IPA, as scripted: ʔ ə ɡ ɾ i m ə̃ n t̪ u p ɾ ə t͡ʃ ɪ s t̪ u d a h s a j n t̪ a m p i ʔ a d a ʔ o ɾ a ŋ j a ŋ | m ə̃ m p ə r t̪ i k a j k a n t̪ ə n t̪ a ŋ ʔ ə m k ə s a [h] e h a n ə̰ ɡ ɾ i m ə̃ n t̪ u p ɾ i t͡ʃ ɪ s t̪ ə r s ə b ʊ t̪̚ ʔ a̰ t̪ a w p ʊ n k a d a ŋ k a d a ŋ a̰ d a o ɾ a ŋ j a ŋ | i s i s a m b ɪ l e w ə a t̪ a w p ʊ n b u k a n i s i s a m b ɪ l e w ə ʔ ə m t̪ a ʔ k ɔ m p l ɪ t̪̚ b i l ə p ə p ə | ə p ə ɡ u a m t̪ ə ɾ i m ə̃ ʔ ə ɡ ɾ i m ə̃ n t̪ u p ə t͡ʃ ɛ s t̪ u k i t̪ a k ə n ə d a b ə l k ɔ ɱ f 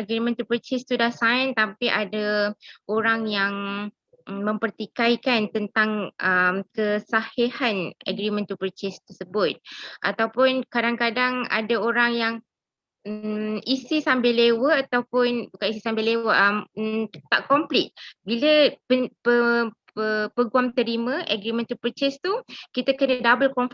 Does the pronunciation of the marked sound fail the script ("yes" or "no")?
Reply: no